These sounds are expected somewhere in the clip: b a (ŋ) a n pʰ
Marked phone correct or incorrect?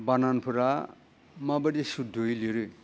incorrect